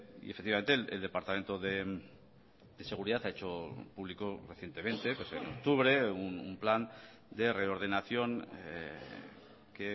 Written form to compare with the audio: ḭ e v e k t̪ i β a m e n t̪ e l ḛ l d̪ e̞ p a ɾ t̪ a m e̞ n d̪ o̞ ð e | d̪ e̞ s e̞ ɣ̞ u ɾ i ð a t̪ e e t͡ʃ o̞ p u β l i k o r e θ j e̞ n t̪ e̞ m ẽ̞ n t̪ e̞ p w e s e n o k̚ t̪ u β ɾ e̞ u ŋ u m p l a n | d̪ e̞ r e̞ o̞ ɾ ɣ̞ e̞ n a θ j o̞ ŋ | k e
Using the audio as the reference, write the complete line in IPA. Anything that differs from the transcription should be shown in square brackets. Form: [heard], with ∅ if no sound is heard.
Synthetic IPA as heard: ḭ e [f] e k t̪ i β a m e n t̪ e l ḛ l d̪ e̞ p a ɾ t̪ a m e̞ n [t̪] o̞ ð e | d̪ e̞ s e̞ ɣ̞ u ɾ i ð a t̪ [a] e t͡ʃ o̞ p u β l i k o r e θ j e̞ n t̪ e̞ m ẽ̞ n t̪ e̞ p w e s e n o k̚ t̪ u β ɾ e̞ u [n] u m p l a n | d̪ e̞ r e̞ o̞ ɾ [ð̞] e̞ n a θ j o̞ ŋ | k e